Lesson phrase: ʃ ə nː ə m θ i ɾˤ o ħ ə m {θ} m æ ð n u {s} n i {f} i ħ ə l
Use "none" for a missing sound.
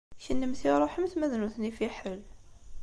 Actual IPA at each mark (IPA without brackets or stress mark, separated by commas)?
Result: θ, θ, f